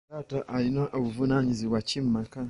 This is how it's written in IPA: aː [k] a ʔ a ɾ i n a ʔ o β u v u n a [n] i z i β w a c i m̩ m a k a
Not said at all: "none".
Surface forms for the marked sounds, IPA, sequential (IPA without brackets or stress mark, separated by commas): t, ɲ